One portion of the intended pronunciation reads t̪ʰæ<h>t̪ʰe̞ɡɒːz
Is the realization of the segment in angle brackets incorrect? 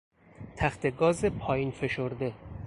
yes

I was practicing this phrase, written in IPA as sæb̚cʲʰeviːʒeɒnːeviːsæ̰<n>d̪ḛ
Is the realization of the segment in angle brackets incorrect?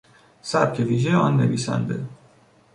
no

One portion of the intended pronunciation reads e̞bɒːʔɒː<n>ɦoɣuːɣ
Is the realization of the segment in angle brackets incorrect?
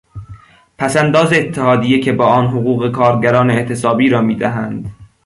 no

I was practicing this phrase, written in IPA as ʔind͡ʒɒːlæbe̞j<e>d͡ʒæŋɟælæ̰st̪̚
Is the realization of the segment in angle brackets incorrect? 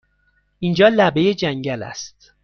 no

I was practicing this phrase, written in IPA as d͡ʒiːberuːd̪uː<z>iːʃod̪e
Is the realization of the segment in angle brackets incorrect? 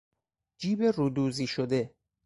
no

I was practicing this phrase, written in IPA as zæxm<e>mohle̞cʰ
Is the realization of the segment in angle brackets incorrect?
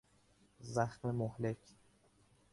no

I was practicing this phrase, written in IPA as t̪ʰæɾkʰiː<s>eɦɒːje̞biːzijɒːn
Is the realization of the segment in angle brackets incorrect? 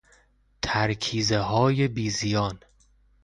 yes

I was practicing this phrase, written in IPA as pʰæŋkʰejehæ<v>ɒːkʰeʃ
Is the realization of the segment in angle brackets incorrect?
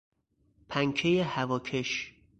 no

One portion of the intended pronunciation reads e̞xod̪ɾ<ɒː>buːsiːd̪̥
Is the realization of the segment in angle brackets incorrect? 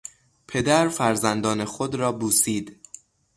no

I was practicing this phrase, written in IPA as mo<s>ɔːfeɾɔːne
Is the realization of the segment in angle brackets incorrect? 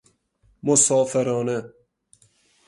no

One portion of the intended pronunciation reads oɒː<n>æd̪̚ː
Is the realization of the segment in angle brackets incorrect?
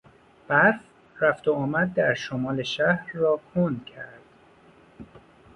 yes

